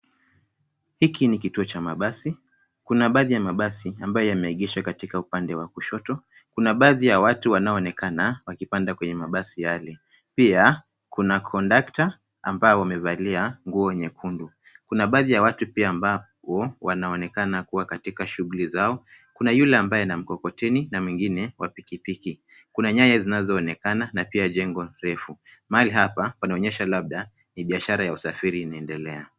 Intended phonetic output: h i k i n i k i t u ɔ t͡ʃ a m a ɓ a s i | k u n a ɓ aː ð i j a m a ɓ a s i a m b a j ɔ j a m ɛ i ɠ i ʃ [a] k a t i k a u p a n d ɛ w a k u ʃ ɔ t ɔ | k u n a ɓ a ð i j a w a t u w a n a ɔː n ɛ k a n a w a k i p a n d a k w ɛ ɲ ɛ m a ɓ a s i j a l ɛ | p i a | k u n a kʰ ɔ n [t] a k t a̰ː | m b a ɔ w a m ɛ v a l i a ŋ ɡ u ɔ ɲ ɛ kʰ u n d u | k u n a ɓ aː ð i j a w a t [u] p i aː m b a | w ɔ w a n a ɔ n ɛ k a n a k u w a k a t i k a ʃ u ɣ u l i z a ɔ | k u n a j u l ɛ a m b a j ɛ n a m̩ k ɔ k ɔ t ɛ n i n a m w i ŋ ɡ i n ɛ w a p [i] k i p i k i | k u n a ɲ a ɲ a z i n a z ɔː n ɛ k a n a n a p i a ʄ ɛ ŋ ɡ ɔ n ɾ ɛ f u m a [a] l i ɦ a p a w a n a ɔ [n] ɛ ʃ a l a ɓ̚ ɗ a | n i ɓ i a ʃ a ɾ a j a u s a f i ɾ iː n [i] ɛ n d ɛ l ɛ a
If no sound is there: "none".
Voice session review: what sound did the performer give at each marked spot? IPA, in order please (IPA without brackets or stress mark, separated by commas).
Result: a, d, u, i, a, ɲ, a